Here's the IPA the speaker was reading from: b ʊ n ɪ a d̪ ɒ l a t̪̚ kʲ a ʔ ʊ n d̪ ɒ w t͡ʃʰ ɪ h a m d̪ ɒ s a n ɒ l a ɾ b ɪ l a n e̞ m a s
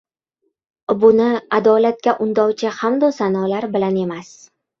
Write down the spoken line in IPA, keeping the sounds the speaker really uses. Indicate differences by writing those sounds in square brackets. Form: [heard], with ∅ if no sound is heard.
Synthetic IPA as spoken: b ʊ n ɪ a d̪ ɒ l a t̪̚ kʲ a ʔ ʊ n d̪ ɒ w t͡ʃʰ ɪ h a m d̪ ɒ s a n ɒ l a ɾ b ɪ l a n e̞ m a s